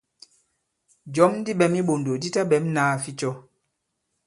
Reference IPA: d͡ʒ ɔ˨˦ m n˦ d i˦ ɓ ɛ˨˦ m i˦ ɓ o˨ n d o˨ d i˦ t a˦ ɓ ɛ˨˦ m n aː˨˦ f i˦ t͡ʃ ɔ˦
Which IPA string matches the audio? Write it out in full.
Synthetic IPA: d͡ʒ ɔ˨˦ m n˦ d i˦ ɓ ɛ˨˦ m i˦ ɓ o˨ n d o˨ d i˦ t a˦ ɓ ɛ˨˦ m n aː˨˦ f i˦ t͡ʃ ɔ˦